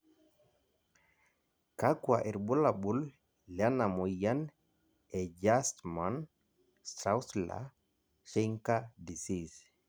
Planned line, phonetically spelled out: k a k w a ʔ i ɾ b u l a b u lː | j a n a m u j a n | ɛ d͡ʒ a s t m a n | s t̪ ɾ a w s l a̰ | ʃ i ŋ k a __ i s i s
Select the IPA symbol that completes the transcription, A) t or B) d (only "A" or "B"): B